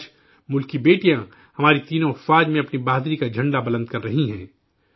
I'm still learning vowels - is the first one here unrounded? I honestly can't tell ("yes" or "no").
no